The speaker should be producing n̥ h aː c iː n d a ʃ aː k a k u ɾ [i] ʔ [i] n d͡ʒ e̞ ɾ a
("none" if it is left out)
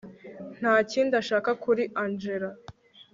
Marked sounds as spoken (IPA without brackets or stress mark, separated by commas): i, a